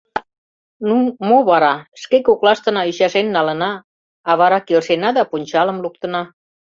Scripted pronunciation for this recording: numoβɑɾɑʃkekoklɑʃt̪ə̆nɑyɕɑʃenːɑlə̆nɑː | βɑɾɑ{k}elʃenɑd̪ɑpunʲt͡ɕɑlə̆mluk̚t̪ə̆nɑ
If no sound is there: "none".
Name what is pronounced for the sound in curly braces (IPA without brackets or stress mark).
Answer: k